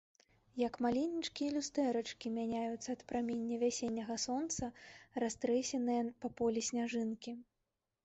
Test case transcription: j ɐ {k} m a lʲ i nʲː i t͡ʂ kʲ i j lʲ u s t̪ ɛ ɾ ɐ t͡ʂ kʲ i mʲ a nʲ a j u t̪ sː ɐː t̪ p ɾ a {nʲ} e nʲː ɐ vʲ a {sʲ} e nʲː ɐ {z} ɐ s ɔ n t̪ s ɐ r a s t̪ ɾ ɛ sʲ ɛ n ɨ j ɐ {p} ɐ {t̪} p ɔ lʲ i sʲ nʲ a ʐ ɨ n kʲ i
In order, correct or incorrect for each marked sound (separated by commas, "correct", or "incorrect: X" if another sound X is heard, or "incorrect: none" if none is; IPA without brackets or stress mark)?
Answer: correct, incorrect: mʲ, correct, incorrect: ɣ, correct, incorrect: none